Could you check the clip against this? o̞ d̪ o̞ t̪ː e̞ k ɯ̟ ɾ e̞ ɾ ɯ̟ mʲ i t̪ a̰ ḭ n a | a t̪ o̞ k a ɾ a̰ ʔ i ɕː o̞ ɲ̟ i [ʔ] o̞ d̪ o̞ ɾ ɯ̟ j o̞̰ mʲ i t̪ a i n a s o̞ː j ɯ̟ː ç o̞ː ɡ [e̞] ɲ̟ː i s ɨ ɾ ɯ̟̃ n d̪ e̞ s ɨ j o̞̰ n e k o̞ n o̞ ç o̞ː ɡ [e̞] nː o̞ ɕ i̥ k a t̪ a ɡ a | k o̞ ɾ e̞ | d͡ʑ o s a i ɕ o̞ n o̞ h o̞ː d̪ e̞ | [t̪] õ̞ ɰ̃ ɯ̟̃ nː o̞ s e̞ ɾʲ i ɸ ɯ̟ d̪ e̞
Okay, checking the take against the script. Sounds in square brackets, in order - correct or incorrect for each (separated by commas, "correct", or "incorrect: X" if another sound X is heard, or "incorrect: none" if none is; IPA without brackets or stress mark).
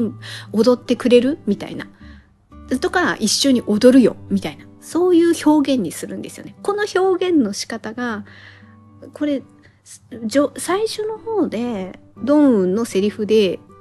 correct, incorrect: ẽ̞, incorrect: ẽ̞, incorrect: d̪